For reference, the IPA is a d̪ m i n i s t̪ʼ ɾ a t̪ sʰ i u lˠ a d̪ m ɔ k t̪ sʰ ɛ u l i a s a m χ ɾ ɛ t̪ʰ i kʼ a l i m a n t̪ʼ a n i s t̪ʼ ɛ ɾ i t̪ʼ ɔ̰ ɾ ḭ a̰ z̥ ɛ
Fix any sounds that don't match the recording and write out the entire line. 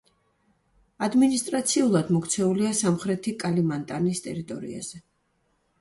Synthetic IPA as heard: a d̪ m i n i s t̪ʼ ɾ a t̪ sʰ i u lˠ a d̪ m ɔ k t̪ sʰ ɛ u l i a s a m χ ɾ ɛ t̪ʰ i kʼ a l i m a n t̪ʼ a n i s t̪ʼ ɛ ɾ i t̪ʼ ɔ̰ ɾ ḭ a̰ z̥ ɛ